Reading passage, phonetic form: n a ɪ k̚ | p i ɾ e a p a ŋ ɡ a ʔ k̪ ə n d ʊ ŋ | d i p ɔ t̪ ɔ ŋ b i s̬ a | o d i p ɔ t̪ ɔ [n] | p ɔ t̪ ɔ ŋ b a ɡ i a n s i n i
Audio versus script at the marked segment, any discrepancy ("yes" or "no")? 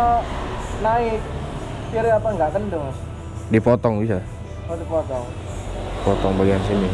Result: yes